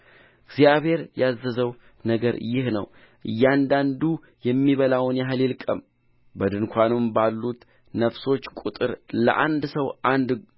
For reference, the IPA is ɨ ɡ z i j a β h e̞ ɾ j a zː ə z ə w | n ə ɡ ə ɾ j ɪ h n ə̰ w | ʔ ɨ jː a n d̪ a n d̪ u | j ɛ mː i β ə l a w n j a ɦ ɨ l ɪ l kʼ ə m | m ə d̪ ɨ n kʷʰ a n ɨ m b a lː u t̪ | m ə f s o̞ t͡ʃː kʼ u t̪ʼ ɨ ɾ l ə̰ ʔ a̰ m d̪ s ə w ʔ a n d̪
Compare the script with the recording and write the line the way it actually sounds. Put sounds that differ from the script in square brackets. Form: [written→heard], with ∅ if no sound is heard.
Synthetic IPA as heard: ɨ ɡ z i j a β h e̞ ɾ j a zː ə z ə w | n ə ɡ ə ɾ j ɪ h n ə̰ w | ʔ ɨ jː a n d̪ a n d̪ u | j ɛ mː i β ə l a w n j a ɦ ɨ l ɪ l kʼ ə m | [m→b] ə d̪ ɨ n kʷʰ a n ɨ m b a lː u t̪ | [m→n] ə f s o̞ t͡ʃː kʼ u t̪ʼ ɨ ɾ l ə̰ ʔ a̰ [m→n] d̪ s ə w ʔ a n d̪